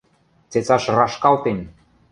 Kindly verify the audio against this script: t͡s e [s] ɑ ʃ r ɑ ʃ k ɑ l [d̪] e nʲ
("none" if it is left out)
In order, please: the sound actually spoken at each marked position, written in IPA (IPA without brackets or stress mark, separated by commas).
t͡s, t̪